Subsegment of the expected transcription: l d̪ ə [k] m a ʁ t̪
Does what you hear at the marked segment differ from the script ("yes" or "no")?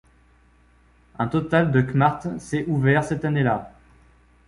no